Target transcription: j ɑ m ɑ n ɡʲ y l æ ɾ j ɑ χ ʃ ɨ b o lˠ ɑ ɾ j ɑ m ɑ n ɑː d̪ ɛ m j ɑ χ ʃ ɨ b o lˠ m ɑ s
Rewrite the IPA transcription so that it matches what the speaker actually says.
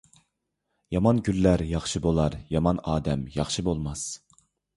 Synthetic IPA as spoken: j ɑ m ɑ n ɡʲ y lː æ ɾ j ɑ χ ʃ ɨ b o lˠ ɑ ɾ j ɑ m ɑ n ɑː d̪ ɛ m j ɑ χ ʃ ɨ b o lˠ m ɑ s